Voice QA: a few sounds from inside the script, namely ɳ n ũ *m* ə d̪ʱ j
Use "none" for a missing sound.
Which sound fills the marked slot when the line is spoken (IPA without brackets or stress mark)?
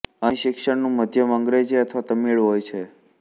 m